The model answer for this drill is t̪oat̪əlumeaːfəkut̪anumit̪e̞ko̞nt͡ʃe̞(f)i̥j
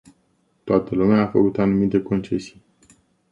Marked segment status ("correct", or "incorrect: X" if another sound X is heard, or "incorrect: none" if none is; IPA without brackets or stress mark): incorrect: s